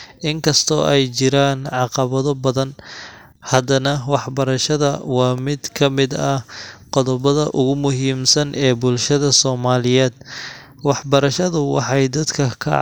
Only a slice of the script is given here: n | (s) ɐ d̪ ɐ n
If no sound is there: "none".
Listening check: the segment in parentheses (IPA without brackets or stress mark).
h